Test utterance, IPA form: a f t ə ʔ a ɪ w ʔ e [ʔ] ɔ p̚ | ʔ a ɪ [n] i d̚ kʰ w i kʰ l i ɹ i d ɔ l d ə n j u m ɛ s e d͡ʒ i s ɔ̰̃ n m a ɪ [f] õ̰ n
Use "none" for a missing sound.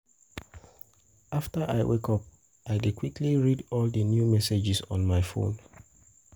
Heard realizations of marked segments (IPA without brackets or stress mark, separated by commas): k, d, f